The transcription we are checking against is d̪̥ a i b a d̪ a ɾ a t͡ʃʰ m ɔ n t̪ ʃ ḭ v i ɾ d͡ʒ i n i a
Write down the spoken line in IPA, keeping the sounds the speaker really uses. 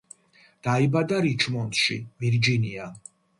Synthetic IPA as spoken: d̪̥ a i b a d̪ a ɾ i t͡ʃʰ m ɔ n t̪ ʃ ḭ v i ɾ d͡ʒ i n i a